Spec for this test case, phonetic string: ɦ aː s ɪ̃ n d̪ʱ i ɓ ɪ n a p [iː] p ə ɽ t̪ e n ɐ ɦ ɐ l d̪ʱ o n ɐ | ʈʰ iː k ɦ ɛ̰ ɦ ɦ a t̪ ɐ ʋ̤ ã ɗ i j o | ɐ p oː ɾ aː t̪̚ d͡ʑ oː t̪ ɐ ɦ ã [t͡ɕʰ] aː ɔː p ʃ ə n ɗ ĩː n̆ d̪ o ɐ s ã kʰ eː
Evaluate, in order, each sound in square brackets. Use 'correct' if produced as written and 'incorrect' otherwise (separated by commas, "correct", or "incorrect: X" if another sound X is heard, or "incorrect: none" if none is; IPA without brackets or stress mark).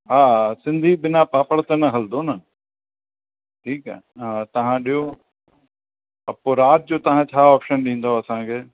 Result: incorrect: aː, correct